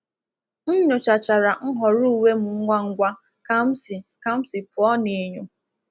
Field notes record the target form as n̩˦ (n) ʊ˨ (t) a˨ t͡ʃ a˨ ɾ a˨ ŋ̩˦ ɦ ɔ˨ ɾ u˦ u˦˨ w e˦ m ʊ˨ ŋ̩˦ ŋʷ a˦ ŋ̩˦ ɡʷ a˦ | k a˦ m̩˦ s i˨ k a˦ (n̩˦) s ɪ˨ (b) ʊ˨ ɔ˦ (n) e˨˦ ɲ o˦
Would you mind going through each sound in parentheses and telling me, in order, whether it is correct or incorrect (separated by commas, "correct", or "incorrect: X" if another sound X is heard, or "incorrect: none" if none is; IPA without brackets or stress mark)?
incorrect: ɲ, incorrect: t͡ʃ, incorrect: m̩˦, incorrect: p, correct